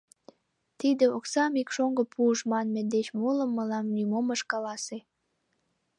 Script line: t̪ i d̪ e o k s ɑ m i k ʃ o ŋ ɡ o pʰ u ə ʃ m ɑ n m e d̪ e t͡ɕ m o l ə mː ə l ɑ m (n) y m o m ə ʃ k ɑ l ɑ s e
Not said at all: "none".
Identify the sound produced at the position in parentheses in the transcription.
n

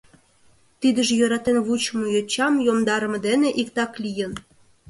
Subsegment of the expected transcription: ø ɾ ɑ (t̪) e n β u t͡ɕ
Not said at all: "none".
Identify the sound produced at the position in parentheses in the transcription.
t̪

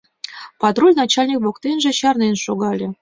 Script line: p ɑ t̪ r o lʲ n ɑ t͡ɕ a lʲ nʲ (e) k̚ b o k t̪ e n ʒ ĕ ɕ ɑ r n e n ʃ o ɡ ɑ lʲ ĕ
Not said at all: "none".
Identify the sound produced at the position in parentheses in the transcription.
i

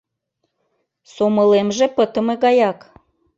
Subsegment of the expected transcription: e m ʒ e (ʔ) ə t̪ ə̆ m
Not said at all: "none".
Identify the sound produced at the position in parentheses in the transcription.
p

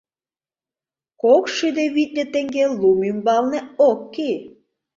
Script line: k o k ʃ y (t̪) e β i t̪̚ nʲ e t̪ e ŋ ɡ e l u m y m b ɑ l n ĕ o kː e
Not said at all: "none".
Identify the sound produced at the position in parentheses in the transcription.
d̪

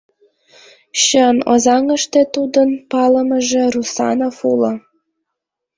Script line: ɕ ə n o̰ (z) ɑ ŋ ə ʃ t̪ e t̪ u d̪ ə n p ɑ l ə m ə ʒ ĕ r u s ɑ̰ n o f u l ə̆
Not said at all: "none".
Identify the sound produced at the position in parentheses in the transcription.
z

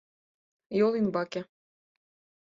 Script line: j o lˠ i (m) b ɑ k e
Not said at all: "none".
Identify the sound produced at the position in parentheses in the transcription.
n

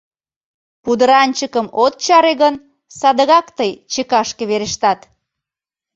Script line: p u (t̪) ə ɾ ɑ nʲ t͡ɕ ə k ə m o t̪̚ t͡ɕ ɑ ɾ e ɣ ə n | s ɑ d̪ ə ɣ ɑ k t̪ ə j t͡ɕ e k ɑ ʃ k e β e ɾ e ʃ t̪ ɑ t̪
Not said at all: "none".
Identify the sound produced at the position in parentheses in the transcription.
d̪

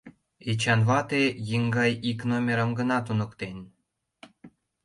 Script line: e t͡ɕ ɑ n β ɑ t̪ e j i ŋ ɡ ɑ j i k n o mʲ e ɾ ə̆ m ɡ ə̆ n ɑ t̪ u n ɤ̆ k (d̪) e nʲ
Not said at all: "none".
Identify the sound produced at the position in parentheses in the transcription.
t̪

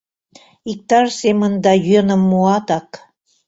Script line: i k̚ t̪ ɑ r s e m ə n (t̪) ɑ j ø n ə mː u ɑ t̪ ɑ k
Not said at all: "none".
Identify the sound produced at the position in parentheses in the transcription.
d̪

